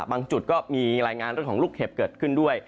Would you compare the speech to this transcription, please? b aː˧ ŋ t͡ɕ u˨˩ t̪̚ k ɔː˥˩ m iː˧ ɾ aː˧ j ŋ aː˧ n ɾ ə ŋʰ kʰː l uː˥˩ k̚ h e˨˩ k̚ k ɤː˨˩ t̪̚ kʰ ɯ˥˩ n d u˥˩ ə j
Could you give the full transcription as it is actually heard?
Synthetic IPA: b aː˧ ŋ t͡ɕ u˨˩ t̪̚ k ɔː˥˩ m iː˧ ɾ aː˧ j ŋ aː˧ n ɾ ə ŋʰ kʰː l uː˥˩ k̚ h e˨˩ p̚ k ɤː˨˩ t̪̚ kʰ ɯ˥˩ n d u˥˩ ə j

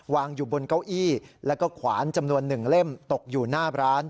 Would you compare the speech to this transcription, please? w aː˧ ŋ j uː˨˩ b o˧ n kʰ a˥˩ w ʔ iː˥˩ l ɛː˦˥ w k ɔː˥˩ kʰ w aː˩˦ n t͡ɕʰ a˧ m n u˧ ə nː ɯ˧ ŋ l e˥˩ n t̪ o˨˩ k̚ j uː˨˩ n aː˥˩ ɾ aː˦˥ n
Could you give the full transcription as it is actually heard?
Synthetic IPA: w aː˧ ŋ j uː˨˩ b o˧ n k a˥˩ w ʔ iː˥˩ l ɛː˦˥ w k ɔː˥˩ kʰ w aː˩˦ n t͡ɕ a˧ m n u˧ ə nː ɯ˨˩ ŋ l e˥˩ m t̪ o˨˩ k̚ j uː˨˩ n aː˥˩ ɾ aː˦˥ n

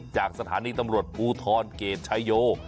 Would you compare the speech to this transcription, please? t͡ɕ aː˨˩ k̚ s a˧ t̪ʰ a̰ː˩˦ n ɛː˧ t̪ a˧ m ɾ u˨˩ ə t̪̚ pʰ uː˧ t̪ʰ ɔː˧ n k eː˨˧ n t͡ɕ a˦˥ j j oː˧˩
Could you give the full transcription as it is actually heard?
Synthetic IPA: t͡ɕ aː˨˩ k̚ s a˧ t̪ʰ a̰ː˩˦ n iː˧ t̪ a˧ m ɾ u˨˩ ə t̪̚ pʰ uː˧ t̪ʰ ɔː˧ n k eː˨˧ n t͡ɕʰ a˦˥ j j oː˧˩

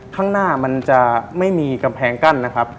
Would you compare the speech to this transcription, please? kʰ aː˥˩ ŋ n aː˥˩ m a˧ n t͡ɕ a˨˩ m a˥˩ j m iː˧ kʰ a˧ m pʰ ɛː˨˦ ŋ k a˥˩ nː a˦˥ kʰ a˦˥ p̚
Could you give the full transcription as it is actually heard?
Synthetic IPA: kʰ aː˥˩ ŋ n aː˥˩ m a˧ n t͡ɕ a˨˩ m a˥˩ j m iː˧ k a˧ m pʰ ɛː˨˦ ŋ k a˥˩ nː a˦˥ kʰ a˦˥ p̚

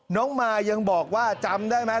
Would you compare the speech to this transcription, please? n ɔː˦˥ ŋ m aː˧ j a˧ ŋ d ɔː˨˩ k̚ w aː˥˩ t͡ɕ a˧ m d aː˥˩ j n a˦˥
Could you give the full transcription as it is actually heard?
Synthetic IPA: n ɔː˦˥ ŋ m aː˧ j a˧ ŋ b ɔː˨˩ k̚ w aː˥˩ t͡ɕ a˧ m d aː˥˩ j m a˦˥

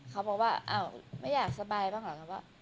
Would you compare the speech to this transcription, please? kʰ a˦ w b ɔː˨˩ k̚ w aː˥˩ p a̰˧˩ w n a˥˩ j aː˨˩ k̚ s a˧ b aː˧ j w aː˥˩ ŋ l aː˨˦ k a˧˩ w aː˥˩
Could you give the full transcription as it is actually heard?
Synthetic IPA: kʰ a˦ w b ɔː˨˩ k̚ w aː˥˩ ʔ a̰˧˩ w m a˥˩ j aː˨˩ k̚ s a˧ b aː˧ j b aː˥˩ ŋ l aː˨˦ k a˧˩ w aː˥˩

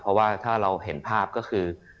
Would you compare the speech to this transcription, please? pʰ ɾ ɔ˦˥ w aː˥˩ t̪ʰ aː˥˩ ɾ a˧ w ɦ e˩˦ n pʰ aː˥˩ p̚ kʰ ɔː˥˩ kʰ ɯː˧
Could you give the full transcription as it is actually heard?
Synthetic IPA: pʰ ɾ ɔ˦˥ w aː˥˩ t̪ʰ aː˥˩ ɾ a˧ w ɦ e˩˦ n pʰ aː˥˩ p̚ k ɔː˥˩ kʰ ɯː˧

